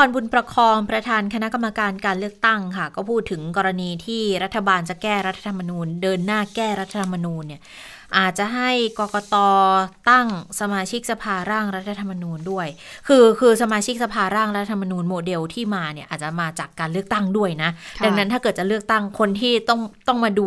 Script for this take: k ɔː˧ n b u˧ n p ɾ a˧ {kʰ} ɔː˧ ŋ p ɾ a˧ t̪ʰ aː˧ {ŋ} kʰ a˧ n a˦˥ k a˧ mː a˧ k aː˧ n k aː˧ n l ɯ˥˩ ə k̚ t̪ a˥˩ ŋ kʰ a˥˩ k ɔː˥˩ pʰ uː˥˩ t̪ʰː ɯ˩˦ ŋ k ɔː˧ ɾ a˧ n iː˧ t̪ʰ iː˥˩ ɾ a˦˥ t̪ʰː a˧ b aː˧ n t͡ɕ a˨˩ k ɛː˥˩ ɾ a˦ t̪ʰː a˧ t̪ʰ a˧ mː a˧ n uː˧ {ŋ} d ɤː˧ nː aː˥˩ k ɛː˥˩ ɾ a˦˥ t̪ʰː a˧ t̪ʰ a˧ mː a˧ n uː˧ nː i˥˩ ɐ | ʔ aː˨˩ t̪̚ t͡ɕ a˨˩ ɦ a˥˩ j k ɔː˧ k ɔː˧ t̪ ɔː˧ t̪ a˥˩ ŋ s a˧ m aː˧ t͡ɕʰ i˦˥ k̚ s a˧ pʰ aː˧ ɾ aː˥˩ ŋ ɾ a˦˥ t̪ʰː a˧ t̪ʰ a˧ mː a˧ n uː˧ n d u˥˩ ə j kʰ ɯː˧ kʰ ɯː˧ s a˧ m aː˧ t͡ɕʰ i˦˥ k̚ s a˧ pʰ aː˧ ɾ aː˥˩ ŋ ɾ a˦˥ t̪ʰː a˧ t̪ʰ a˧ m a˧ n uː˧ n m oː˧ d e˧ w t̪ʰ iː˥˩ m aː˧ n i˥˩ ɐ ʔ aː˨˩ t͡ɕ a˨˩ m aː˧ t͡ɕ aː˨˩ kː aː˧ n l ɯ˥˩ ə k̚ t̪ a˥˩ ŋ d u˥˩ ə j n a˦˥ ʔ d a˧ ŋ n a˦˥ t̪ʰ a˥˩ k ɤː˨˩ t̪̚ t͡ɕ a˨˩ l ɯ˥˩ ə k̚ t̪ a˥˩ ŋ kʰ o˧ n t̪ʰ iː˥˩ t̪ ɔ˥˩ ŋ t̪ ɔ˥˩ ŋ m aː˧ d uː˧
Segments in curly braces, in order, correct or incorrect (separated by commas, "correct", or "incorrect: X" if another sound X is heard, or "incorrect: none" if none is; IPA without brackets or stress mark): correct, incorrect: n, incorrect: n